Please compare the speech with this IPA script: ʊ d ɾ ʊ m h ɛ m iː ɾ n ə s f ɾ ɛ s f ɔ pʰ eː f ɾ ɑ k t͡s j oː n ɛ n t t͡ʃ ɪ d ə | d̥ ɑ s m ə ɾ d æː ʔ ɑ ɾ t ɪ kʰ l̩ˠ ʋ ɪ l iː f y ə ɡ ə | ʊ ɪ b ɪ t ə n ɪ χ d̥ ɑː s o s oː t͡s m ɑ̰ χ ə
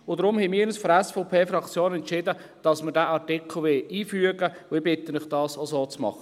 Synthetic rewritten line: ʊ d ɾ ʊ m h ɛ m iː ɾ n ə s f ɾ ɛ s f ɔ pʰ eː f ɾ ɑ k t͡s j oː n ɛ n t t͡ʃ ɪ d ə | d̥ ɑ s m ə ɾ d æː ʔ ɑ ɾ t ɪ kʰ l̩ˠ ʋ ɪ l iː f y ə ɡ ə | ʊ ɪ b ɪ t ə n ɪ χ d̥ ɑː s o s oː t͡s m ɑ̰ χ ə